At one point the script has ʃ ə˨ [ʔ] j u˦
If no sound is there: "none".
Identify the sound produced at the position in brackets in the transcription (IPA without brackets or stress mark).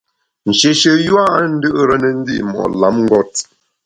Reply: none